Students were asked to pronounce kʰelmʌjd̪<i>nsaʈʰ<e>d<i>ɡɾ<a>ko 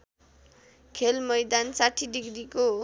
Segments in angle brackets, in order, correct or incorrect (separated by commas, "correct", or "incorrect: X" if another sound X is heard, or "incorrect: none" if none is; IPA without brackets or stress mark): incorrect: a, incorrect: i, correct, incorrect: i